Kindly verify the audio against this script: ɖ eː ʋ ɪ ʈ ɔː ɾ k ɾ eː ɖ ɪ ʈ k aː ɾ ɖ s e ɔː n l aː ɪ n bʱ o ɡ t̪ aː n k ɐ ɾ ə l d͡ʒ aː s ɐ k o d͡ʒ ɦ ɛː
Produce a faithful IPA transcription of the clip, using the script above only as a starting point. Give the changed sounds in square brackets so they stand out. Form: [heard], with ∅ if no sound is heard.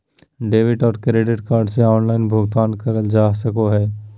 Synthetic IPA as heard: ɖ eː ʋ ɪ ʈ ɔː ɾ k ɾ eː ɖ ɪ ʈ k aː ɾ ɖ s e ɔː n l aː ɪ n bʱ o ɡ t̪ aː n k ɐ ɾ ə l d͡ʒ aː s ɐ k o [∅] ɦ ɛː